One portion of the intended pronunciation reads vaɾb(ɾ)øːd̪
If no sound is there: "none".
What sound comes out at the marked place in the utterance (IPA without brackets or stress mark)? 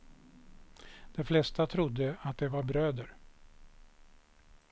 ɾ